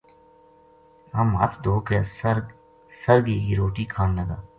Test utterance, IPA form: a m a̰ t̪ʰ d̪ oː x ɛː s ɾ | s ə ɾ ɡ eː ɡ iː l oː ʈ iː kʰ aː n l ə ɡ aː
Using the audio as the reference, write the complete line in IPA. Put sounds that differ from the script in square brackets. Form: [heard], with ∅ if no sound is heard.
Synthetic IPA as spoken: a m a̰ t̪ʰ d̪ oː [k] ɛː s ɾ | s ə ɾ ɡ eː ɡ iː [ɾ] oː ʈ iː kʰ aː n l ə ɡ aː

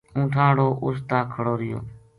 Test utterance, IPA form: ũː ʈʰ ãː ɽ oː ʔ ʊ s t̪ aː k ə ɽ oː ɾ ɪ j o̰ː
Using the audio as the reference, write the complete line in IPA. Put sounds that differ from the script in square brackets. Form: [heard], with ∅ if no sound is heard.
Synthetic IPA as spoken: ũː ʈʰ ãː ɽ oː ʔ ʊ s t̪ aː [kʰ] ə ɽ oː ɾ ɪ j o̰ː

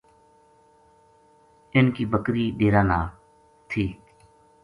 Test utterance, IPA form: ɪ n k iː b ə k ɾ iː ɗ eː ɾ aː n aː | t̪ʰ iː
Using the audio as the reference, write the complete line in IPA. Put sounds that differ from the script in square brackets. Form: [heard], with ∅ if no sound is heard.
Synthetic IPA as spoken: ɪ n k iː b ə k ɾ iː ɗ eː ɾ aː n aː | t̪ʰ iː

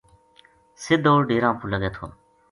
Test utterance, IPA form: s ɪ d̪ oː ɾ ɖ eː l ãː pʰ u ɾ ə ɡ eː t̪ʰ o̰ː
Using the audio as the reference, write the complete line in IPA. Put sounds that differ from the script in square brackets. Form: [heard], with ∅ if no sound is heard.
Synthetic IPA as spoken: s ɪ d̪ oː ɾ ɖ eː [ɾ] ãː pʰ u [l] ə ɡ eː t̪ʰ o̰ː

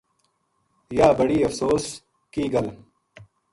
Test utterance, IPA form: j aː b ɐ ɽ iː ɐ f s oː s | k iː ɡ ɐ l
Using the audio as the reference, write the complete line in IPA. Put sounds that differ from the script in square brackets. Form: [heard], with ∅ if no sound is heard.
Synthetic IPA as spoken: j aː b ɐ ɽ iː ɐ f s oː s | k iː ɡ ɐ l

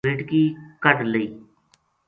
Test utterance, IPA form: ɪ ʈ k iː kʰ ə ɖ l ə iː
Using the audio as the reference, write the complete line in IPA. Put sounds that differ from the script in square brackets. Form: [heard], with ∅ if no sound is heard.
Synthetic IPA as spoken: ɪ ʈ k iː [k] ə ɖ l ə iː

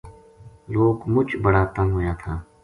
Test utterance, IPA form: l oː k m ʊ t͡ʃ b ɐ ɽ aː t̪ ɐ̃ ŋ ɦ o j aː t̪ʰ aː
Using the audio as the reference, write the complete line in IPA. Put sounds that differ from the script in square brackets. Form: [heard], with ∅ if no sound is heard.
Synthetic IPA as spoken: l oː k m ʊ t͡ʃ b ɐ ɽ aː t̪ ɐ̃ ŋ ɦ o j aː t̪ʰ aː

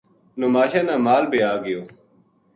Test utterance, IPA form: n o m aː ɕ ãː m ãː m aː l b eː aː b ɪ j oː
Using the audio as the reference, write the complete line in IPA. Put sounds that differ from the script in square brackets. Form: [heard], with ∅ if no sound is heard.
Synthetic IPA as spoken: n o m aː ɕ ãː [n] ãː m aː l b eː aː [ɡ] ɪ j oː

